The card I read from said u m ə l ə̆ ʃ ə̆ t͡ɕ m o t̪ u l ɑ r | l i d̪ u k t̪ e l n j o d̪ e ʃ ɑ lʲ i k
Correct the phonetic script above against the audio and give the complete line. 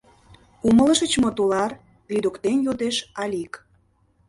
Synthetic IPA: u m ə l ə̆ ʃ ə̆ t͡ɕ m o t̪ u l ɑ r | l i d̪ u k t̪ e n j o d̪ e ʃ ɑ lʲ i k